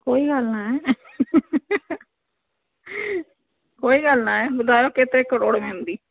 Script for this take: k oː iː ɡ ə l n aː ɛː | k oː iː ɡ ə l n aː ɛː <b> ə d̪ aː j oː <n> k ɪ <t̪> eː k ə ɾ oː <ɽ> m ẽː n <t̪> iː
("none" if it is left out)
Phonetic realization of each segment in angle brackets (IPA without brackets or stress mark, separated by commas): b, none, t̪, ɽ, d̪